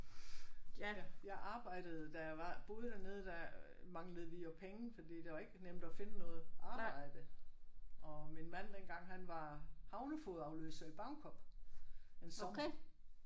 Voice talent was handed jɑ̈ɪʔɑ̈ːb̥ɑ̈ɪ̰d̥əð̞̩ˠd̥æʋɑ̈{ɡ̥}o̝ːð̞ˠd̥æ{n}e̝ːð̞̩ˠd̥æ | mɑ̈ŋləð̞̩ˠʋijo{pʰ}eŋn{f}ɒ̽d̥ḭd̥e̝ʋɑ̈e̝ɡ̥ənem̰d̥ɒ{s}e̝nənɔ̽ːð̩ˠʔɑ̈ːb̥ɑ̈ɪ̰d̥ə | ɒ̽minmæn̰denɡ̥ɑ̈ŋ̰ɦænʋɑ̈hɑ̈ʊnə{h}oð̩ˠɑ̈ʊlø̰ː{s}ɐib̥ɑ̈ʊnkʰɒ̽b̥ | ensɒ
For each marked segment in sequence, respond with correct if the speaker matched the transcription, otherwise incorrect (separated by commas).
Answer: incorrect, correct, correct, correct, incorrect, incorrect, correct